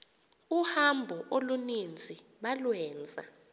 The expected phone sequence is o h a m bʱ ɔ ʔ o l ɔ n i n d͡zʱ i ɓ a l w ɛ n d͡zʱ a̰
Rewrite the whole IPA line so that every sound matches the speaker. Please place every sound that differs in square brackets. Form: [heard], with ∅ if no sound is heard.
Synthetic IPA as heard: [u] h a m bʱ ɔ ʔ o l [u] n i n d͡zʱ i ɓ a l w [ɛː] n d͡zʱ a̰